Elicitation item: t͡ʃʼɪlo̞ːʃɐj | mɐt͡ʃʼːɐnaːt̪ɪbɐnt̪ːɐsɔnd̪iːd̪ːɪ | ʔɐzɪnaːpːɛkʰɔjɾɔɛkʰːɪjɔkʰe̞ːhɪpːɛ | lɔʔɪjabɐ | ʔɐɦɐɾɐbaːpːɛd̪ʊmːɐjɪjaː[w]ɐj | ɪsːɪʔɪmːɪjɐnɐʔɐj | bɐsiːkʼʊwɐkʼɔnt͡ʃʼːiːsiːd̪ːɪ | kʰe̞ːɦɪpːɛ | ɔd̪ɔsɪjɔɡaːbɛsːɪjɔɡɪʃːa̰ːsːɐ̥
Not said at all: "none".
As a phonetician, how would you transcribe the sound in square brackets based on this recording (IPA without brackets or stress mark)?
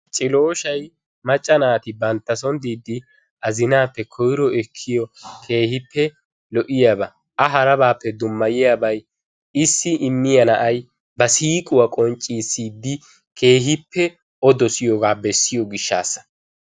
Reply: b